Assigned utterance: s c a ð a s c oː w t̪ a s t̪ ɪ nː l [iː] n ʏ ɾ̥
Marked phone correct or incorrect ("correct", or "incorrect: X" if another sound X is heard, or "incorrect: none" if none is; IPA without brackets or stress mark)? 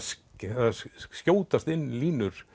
correct